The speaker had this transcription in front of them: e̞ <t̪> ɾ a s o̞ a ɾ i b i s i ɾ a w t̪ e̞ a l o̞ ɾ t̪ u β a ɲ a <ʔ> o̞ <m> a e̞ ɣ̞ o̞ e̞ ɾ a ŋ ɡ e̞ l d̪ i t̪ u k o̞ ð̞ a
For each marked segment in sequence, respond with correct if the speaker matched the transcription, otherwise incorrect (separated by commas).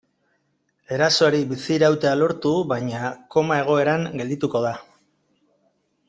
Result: incorrect, incorrect, correct